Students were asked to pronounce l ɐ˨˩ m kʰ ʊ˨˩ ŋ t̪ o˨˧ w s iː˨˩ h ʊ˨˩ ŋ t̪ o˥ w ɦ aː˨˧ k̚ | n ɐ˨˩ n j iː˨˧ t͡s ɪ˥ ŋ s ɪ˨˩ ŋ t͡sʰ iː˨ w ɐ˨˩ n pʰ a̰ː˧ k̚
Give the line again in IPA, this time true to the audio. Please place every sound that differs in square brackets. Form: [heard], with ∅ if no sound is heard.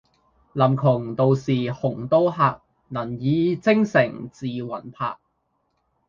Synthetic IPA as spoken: l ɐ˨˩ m kʰ ʊ˨˩ ŋ t̪ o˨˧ w s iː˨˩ h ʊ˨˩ ŋ t̪ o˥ w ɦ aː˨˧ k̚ | n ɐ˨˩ n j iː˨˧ t͡s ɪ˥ ŋ s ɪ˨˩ ŋ [t͡s] iː˨ w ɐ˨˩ n pʰ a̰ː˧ k̚